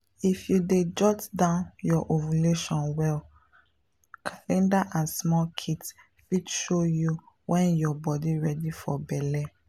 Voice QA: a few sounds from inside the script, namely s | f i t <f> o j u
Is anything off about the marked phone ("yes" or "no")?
yes